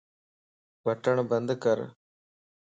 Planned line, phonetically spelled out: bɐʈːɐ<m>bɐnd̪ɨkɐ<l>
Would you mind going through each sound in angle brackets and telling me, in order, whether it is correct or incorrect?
incorrect: ɳ, incorrect: ɾ

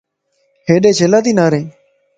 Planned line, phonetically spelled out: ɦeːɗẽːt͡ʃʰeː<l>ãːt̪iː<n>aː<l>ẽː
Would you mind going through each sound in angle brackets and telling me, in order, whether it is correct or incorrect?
correct, correct, incorrect: ɾ

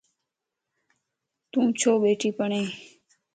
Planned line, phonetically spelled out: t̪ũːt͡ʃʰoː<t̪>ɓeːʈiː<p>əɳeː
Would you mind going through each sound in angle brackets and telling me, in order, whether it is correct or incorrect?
incorrect: none, correct

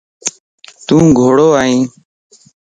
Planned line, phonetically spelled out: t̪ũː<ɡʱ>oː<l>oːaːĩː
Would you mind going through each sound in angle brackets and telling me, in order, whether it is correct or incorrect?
correct, incorrect: ɽ

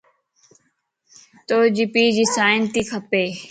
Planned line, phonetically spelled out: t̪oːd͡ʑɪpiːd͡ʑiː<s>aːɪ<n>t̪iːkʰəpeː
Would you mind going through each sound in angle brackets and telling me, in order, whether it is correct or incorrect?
correct, correct

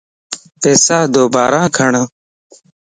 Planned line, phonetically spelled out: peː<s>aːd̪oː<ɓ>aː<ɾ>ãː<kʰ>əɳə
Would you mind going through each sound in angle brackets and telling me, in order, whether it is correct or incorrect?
correct, incorrect: b, correct, correct

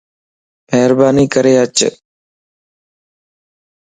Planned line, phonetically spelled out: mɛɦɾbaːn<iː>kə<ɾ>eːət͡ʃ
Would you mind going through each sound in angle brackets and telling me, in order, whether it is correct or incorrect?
correct, correct

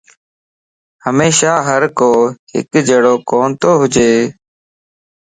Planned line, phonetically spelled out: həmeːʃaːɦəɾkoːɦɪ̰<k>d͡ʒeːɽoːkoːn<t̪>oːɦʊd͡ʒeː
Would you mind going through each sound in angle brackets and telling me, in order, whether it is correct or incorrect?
correct, correct

